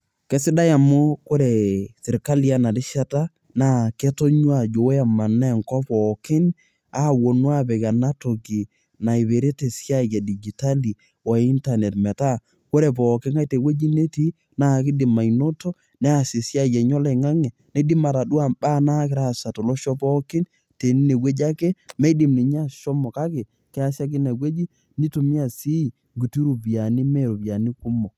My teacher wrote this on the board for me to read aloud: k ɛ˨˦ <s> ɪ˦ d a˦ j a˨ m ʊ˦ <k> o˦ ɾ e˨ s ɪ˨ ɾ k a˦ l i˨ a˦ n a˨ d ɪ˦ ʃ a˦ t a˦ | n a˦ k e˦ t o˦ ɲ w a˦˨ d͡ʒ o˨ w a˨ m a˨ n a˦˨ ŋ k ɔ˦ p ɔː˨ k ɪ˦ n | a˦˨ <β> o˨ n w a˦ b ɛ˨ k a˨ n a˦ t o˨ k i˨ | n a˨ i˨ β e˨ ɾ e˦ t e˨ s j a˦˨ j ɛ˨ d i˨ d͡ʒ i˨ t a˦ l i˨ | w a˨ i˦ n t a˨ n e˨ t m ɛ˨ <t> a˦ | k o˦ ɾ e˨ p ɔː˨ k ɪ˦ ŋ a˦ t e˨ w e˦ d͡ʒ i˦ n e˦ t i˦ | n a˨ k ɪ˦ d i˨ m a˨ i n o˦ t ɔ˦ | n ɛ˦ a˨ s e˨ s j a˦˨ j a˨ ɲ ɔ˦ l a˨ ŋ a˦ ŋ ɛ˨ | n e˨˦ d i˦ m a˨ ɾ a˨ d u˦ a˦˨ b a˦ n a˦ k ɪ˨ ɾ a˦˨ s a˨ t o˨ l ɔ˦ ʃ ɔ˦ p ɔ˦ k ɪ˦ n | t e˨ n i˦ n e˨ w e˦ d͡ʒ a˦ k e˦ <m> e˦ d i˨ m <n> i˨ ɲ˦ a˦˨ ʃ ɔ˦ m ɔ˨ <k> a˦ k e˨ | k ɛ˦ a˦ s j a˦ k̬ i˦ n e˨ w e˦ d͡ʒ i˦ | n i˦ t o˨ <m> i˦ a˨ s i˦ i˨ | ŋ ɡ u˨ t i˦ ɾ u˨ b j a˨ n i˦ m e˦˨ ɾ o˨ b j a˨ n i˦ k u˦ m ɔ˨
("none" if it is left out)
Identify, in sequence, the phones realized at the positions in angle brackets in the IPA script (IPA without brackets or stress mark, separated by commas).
s, k, w, t, m, n, k, m